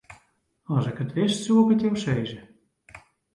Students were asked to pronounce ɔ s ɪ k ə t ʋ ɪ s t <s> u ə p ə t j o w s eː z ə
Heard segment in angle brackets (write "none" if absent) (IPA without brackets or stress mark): s